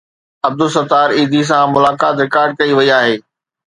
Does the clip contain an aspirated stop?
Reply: no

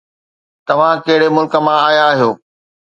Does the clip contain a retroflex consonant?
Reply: yes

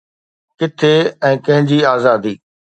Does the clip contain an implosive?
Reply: no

